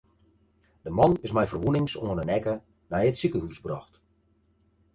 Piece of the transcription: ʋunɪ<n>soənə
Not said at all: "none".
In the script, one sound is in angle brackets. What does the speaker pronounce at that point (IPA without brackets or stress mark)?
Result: ŋ